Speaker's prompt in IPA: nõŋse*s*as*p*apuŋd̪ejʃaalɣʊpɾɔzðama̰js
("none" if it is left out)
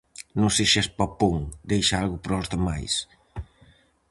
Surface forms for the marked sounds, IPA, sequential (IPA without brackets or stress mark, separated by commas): ʃ, p